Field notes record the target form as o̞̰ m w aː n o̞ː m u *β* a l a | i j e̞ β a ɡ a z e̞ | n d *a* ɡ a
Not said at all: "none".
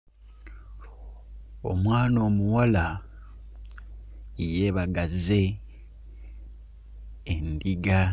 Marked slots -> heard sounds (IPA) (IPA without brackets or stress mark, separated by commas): w, i